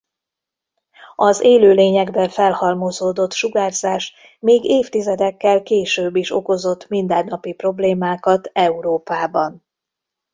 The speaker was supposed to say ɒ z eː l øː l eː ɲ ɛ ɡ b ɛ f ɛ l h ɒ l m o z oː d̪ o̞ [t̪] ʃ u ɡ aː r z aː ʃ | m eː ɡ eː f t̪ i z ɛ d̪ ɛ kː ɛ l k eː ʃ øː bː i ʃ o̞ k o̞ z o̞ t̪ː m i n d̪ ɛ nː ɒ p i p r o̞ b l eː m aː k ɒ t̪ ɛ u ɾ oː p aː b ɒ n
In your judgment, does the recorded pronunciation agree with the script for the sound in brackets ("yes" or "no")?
yes